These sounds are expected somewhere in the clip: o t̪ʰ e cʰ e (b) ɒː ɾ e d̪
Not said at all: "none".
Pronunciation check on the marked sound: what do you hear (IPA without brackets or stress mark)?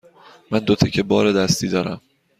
b